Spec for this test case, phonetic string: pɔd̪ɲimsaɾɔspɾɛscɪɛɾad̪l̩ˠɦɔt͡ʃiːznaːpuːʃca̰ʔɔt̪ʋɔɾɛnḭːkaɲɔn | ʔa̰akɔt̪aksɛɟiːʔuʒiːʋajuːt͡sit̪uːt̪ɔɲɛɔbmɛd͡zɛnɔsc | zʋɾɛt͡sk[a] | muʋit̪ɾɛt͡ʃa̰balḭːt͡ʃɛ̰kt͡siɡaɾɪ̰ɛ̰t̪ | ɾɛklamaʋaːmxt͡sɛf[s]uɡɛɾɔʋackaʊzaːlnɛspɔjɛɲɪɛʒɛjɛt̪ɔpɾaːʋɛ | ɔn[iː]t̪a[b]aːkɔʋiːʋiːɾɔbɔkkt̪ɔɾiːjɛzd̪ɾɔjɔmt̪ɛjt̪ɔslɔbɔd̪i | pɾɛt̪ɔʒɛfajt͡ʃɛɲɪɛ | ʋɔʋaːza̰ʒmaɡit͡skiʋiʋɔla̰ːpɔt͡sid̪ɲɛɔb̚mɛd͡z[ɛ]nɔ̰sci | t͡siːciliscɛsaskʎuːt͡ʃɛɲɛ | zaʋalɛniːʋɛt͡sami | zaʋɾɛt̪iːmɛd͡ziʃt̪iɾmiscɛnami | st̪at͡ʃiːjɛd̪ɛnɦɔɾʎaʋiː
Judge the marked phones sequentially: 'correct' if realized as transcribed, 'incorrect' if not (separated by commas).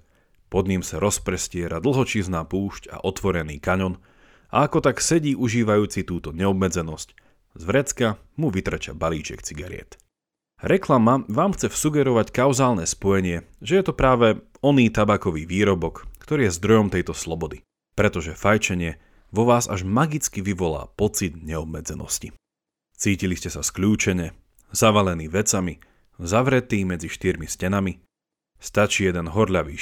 correct, correct, correct, correct, correct